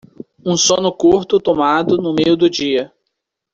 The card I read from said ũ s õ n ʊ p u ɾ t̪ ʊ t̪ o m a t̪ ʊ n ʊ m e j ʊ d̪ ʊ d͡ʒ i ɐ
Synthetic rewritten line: ũ s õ n ʊ k u ɾ t̪ ʊ t̪ o m a d̪ ʊ n ʊ m e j ʊ d̪ ʊ d͡ʒ i ɐ